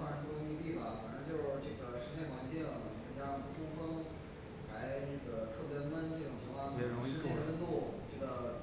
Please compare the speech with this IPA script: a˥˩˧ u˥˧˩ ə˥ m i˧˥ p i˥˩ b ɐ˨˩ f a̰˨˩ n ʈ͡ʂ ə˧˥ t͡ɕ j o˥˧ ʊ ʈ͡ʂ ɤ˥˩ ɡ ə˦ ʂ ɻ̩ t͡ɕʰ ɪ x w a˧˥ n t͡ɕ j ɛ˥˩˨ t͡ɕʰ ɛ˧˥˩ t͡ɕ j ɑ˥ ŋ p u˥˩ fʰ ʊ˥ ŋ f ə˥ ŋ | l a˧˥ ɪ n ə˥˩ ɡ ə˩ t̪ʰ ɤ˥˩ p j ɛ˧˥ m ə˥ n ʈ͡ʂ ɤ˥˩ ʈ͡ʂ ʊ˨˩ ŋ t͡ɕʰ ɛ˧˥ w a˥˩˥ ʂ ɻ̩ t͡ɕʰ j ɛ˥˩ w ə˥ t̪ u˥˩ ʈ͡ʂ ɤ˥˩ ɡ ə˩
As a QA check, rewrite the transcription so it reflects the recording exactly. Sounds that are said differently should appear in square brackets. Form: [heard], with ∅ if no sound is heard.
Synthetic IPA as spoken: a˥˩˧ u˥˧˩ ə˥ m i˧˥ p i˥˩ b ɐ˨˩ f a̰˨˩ n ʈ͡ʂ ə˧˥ t͡ɕ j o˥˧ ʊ ʈ͡ʂ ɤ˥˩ ɡ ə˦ ʂ ɻ̩ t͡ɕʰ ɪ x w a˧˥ n t͡ɕ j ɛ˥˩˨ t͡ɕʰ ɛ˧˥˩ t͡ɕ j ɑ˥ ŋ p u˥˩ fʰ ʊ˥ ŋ f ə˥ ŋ | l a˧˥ ɪ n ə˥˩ ɡ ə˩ t̪ʰ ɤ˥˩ p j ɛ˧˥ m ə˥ n ʈ͡ʂ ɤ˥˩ ʈ͡ʂ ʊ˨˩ ŋ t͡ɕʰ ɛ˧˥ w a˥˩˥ ʂ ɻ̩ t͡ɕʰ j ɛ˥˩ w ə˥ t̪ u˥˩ ʈ͡ʂ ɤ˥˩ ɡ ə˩